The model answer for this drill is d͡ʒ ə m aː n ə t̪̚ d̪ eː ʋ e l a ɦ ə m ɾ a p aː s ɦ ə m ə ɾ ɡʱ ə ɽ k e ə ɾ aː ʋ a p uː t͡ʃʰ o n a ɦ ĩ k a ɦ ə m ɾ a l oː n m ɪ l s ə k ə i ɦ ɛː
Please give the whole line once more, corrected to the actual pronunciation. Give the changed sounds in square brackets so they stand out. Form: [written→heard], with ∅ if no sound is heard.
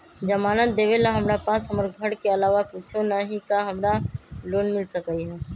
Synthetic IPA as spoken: d͡ʒ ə m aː n ə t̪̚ d̪ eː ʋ e l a ɦ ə m ɾ a p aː s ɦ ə m ə ɾ ɡʱ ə ɽ k e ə [ɾ→l] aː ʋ a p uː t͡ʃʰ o n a ɦ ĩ k a ɦ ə m ɾ a l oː n m ɪ l s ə k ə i ɦ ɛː